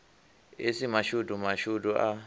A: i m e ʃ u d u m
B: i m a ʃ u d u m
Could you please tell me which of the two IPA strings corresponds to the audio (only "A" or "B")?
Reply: B